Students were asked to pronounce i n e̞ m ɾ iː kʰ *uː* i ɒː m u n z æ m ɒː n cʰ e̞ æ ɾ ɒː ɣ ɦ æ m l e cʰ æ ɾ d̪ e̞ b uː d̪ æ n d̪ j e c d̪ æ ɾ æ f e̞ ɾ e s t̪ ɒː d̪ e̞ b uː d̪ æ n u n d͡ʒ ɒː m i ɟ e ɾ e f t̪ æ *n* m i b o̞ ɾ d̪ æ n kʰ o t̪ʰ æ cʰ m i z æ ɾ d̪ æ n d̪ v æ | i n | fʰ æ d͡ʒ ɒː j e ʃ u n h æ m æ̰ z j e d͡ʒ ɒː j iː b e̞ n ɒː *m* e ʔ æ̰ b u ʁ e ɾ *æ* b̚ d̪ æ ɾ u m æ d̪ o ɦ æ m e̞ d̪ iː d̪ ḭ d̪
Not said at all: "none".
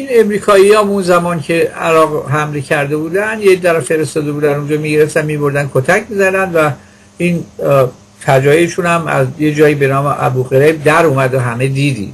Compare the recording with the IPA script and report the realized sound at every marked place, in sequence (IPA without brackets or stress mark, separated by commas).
ɒː, n, m, e